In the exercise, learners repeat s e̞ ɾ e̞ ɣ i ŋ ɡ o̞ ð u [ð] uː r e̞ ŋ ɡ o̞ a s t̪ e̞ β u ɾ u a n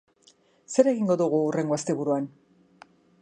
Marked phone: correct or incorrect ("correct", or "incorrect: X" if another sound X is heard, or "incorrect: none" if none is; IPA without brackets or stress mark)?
incorrect: ɣ